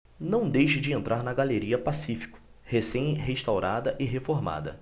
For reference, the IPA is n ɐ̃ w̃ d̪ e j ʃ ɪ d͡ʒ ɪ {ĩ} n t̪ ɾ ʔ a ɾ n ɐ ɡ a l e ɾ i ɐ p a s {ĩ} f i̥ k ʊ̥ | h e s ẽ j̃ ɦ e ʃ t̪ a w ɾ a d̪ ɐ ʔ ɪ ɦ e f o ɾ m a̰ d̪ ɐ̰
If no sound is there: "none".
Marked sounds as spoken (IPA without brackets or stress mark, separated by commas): ẽ, i